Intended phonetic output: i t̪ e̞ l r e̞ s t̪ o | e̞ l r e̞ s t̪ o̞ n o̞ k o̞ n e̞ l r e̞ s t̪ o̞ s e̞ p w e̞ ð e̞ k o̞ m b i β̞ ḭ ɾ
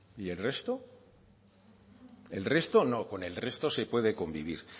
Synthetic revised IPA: i e̞ l r e̞ s t̪ o | e̞ l r e̞ s t̪ o̞ n o̞ k o̞ n e̞ l r e̞ s t̪ o̞ s e̞ p w e̞ ð e̞ k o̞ m b i β̞ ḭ ɾ